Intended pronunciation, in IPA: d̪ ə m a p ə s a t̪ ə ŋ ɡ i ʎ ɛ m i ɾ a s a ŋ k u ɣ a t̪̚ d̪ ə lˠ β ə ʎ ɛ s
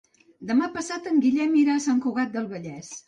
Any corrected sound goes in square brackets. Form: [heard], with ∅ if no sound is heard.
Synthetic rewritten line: d̪ ə m a p ə s a t̪ ə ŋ ɡ i ʎ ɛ m i ɾ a s a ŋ k u ɣ a t̪̚ d̪ ə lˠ β ə ʎ ɛ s